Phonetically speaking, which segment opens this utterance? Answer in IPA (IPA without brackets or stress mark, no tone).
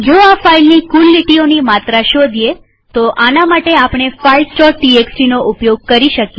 d͡ʒ